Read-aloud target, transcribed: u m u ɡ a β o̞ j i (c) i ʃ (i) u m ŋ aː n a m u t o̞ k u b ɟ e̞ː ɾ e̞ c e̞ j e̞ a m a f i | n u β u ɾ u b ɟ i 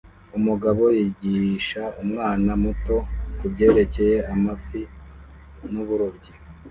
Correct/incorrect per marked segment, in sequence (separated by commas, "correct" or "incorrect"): incorrect, incorrect